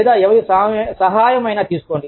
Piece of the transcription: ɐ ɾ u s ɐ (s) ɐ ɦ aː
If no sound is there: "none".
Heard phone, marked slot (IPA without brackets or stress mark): s